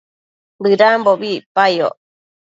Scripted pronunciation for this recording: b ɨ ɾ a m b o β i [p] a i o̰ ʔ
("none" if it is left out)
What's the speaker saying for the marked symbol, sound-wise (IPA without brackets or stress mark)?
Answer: p